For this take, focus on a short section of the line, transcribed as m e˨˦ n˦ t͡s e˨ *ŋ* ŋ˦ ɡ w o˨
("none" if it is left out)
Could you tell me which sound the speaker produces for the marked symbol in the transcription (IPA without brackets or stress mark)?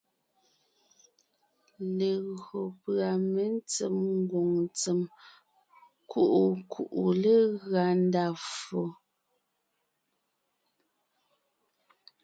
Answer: m